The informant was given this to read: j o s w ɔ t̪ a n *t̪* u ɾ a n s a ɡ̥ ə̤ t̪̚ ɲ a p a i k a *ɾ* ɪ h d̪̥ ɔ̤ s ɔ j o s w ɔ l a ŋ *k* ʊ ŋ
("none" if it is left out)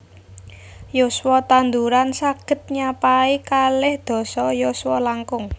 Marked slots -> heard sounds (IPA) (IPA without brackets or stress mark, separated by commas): d̪, l, k